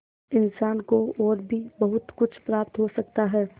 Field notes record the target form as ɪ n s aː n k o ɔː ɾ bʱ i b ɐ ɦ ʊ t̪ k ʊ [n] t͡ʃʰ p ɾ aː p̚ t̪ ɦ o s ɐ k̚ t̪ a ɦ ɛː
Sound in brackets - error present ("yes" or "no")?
yes